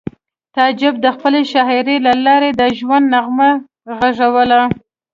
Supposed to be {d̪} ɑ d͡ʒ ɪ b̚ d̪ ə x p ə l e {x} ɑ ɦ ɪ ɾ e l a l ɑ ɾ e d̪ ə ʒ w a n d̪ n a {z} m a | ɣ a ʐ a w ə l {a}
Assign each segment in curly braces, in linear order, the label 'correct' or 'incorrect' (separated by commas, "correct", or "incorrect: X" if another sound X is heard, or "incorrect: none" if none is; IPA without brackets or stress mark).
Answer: incorrect: t̪, incorrect: ʃ, incorrect: ɣ, correct